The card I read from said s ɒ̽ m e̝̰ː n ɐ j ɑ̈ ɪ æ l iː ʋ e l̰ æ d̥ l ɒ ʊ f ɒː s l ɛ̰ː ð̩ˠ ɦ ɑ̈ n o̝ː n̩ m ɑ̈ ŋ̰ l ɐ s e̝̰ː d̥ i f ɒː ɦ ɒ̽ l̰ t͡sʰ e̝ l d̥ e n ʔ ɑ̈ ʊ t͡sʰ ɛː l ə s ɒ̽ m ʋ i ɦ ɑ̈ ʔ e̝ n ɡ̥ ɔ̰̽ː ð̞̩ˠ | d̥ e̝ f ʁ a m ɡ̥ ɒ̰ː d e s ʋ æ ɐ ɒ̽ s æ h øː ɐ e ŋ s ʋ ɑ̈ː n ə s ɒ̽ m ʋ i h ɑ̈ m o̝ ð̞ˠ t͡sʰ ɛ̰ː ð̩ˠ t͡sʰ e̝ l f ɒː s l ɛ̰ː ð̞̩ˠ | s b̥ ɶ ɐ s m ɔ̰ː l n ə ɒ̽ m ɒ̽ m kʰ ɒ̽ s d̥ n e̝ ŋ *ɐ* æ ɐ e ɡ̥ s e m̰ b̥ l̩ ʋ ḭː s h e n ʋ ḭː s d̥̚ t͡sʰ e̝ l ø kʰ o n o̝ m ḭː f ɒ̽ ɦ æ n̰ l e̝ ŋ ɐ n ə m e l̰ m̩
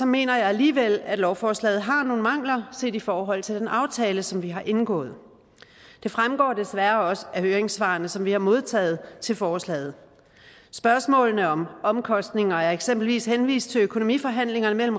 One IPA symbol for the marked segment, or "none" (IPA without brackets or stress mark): ɐ